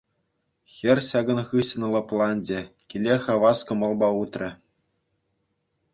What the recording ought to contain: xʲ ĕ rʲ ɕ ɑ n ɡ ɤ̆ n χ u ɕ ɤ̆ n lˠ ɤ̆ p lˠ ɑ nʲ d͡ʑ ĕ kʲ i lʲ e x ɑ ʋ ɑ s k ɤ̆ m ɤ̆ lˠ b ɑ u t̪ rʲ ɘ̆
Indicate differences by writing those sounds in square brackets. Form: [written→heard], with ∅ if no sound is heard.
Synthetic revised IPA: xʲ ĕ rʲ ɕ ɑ [n→∅] ɡ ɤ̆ n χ [u→ɯ] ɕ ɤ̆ n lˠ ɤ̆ p lˠ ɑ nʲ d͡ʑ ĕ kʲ i lʲ e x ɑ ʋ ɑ s k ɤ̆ m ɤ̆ lˠ b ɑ u t̪ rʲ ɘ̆